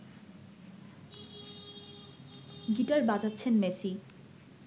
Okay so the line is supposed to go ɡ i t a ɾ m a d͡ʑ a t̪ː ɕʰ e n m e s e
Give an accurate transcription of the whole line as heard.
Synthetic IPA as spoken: ɡ i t a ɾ b a d͡ʑ a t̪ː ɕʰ e n m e s i